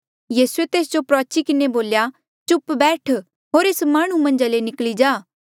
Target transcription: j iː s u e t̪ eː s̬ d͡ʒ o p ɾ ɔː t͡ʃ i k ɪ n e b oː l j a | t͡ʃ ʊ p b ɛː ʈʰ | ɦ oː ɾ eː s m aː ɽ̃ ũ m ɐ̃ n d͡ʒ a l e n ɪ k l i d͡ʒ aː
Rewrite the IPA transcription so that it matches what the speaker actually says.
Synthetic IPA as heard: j iː s u e t̪ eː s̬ d͡ʒ o p ɾ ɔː t͡ʃ i k ɪ n e b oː l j a | t͡ʃ ʊ p b ɛː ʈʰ | ɦ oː ɾ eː s m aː ɽ̃ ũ m ɐ̃ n d͡ʒ a l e n ɪ k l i d͡ʒ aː